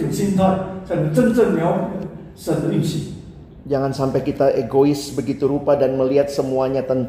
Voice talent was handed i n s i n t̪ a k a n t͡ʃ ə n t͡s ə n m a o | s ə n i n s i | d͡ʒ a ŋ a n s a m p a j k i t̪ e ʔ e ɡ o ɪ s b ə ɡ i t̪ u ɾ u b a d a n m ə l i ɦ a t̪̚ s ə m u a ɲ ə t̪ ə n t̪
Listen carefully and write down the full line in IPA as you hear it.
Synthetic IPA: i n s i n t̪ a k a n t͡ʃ ə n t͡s ə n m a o | s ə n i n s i | d͡ʒ a ŋ a n s a m p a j k i t̪ a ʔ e ɡ o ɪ s b ə ɡ i t̪ u ɾ u p a d a n m ə l i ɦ a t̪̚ s ə m u a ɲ a t̪ ə n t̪